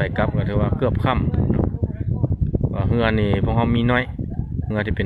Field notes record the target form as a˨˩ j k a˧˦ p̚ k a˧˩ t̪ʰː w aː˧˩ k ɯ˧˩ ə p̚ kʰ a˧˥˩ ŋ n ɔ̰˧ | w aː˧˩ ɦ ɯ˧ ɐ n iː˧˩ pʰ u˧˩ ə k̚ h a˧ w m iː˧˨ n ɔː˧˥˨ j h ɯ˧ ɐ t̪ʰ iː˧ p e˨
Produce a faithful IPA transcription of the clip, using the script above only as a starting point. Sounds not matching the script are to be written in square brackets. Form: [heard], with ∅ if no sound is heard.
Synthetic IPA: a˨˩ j k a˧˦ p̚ k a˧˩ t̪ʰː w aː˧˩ k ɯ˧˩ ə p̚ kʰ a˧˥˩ [m] n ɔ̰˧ | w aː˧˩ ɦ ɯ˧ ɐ n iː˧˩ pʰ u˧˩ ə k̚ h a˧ w m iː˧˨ n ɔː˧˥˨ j h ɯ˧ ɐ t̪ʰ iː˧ p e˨